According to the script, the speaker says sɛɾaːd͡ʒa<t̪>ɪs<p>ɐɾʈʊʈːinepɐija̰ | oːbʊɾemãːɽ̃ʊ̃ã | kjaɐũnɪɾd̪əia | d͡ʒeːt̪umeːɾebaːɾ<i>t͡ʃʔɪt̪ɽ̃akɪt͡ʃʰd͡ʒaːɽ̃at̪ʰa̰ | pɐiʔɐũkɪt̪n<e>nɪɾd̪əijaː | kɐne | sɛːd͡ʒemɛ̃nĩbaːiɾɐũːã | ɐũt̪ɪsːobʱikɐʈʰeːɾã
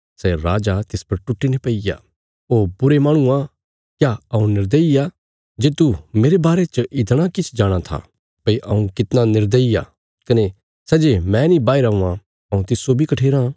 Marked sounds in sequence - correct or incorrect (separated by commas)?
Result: correct, correct, incorrect, incorrect